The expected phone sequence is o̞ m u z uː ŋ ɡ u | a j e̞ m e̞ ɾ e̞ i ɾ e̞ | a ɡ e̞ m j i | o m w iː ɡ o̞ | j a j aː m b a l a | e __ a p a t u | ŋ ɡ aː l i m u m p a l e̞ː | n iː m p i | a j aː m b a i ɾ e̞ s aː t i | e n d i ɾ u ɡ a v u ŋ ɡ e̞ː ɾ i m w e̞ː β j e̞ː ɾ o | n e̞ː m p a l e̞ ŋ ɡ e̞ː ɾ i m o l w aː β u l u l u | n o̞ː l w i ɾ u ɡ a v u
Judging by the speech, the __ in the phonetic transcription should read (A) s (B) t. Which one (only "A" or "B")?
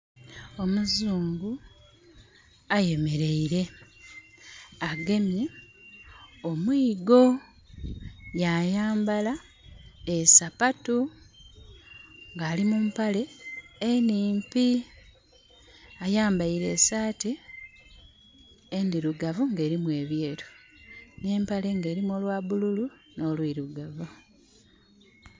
A